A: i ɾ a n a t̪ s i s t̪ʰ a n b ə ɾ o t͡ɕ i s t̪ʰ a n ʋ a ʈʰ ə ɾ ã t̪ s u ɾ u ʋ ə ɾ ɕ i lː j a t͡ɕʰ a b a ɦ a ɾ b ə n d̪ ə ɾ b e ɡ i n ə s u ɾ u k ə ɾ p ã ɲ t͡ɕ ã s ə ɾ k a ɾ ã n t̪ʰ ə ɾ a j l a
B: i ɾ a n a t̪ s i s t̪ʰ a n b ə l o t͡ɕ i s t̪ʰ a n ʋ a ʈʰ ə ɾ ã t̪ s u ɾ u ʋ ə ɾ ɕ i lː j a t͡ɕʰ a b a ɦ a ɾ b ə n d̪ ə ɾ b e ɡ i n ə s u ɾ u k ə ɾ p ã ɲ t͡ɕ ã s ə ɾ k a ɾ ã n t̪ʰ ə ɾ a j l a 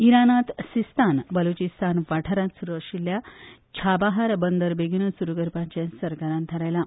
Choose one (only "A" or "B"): B